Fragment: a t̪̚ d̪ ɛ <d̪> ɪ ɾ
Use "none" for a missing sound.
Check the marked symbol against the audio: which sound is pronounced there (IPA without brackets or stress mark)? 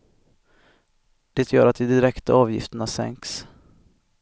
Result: d̪